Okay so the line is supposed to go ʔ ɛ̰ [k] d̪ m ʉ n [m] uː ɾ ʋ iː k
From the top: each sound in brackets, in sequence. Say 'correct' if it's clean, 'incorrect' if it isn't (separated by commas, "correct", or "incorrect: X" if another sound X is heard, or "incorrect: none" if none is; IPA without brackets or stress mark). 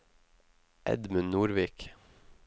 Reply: incorrect: none, incorrect: n